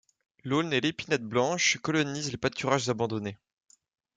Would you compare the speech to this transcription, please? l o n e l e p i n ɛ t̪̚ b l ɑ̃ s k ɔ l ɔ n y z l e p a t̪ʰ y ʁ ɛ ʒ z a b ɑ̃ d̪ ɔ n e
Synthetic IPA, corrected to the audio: l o n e l e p i n ɛ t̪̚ b l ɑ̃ ʃ k ɔ l ɔ n i z l e p a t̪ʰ y ʁ a ʒ z a b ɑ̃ d̪ ɔ n e